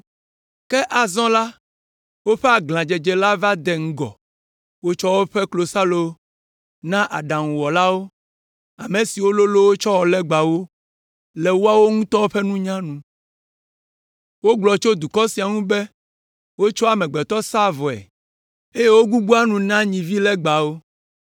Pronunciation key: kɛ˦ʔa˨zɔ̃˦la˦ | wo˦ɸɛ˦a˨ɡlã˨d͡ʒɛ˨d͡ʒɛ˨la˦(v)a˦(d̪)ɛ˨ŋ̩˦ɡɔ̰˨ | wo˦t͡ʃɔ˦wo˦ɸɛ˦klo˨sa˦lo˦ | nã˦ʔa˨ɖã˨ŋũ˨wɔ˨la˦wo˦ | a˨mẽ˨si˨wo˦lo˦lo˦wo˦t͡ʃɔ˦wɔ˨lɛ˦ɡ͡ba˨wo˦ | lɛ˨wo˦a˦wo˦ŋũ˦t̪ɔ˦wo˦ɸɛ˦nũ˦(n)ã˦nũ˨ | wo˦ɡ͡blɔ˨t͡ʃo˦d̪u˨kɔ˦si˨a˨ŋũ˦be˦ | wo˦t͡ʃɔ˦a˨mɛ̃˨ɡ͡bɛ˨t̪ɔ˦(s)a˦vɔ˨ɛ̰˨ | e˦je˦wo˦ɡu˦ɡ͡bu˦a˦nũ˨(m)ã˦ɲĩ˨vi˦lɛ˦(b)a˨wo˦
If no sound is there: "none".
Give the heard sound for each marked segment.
v, d̪, ɲ, s, n, ɡ͡b

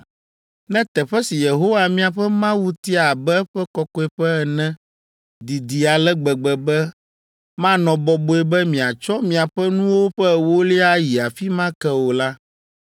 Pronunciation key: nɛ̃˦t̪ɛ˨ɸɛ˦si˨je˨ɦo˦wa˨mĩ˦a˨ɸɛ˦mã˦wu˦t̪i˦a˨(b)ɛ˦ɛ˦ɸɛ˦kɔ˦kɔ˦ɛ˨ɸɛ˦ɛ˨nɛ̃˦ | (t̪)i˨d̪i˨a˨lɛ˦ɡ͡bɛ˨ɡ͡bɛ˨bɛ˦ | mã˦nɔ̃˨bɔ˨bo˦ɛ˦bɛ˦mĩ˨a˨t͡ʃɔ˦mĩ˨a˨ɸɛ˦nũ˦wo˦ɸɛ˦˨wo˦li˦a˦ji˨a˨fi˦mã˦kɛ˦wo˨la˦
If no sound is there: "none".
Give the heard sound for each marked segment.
b, d̪

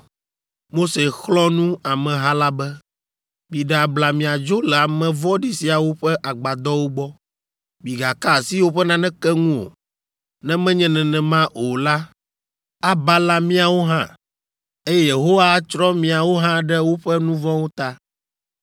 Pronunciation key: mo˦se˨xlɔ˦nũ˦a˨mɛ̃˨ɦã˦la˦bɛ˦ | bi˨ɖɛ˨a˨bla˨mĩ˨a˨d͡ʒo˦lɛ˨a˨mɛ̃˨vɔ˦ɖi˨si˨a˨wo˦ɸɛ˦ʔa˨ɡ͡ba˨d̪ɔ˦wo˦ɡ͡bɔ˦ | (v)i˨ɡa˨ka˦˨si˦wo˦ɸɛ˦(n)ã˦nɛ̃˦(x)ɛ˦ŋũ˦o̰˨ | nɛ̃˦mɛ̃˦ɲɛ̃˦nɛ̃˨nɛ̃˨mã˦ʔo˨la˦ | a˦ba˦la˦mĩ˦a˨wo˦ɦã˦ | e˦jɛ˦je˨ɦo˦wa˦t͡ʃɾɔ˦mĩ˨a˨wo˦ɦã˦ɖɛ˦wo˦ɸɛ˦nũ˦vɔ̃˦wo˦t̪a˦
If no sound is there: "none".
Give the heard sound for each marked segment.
b, n, k

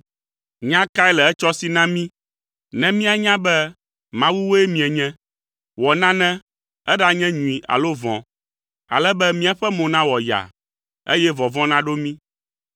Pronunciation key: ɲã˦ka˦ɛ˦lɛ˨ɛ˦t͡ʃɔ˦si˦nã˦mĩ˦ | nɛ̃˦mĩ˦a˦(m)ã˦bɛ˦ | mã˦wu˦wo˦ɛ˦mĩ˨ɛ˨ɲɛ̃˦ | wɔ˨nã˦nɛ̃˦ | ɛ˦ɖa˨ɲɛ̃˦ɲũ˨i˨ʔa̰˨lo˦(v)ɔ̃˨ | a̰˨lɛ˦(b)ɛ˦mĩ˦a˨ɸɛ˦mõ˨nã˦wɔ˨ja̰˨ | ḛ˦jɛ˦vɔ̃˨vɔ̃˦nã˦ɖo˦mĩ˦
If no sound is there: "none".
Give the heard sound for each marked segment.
ɲ, v, b

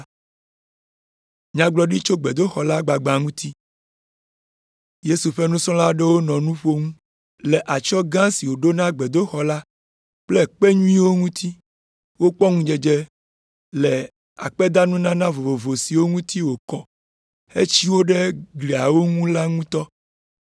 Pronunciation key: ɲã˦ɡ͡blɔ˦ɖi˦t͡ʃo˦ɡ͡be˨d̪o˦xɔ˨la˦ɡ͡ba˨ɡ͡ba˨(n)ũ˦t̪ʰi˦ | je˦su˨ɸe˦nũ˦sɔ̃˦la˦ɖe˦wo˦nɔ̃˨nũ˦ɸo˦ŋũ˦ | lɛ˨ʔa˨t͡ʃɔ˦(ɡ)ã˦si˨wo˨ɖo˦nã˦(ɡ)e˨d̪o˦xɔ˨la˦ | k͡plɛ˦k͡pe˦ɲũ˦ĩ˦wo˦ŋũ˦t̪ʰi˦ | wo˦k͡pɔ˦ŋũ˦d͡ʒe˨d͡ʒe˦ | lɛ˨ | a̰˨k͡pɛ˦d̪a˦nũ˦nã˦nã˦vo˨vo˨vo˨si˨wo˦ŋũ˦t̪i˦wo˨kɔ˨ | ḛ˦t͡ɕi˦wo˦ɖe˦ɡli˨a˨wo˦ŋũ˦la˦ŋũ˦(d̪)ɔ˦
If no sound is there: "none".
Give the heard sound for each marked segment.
ŋ, ɡ, ɡ͡b, t̪

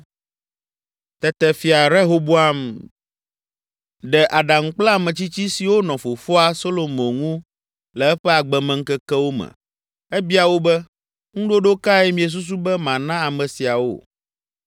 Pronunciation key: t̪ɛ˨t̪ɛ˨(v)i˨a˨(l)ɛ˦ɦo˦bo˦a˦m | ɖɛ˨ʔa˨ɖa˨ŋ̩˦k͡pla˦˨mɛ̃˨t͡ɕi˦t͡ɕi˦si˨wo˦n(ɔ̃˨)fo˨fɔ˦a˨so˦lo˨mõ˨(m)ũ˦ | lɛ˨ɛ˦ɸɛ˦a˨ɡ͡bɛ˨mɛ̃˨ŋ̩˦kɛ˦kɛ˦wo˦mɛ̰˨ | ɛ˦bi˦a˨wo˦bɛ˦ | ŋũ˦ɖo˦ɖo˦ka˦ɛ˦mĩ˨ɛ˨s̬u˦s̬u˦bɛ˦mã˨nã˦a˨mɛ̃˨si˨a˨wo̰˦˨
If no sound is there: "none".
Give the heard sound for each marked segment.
f, ɾ, ɔ̃˨, ŋ

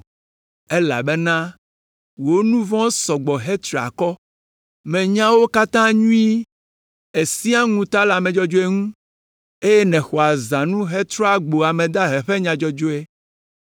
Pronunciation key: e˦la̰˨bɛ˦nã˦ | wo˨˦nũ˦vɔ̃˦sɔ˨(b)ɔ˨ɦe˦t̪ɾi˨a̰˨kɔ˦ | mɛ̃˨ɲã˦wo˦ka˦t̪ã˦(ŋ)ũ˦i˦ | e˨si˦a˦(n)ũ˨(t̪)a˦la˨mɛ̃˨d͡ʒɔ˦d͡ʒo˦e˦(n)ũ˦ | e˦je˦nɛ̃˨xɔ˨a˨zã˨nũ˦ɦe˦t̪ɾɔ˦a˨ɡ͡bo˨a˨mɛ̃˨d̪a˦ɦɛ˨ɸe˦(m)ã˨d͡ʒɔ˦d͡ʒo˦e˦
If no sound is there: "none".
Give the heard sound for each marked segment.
ɡ͡b, ɲ, ŋ, t̪, ŋ, ɲ

